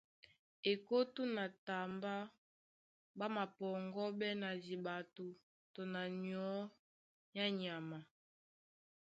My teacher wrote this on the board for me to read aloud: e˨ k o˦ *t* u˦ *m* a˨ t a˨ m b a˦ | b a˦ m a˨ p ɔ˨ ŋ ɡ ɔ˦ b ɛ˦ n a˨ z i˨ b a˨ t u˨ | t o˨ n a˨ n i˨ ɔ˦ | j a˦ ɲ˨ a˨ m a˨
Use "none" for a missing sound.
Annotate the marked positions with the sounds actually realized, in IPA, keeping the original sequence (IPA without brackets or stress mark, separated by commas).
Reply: t, n